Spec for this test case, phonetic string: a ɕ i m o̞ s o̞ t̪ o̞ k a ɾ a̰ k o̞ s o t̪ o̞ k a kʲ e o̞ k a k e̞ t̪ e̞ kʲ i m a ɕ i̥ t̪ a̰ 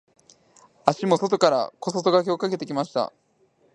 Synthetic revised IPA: a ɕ i m o̞ s o̞ t̪ o̞ k a ɾ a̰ k o̞ s o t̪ o̞ ɡ a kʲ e o̞ k a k e̞ t̪ e̞ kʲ i m a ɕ i̥ t̪ a̰